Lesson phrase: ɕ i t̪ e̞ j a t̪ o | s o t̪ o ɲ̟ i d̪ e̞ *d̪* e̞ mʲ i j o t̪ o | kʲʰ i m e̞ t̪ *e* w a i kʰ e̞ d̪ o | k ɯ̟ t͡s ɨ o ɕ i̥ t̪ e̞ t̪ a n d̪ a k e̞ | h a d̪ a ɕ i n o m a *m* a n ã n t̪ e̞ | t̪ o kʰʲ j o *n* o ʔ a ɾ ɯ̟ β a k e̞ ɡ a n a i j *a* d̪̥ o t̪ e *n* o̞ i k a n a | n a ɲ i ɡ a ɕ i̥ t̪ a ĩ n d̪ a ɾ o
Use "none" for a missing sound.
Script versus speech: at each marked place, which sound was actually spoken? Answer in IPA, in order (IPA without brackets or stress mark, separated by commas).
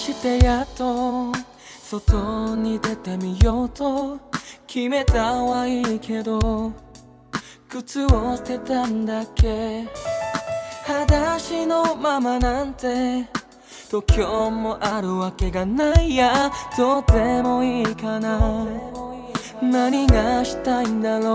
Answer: t̪, a, m, m, a, m